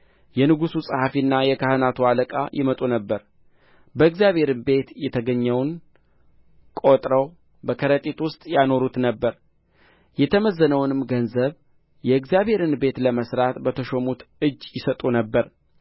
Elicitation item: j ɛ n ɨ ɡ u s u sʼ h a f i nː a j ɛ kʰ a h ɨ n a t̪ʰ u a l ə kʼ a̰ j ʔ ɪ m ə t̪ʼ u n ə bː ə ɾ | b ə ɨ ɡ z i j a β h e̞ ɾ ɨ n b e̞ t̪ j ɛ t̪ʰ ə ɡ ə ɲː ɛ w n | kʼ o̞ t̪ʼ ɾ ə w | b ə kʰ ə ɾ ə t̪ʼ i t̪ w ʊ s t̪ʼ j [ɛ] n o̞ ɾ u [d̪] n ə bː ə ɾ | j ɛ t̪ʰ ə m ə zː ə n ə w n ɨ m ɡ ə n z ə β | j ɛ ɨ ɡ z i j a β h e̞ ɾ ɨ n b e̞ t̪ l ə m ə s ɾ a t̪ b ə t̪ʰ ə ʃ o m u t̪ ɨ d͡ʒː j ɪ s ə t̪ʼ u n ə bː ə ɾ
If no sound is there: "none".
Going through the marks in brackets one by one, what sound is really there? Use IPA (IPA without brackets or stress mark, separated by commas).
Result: a, t̪